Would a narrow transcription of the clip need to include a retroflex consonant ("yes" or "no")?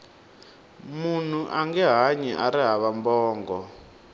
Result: no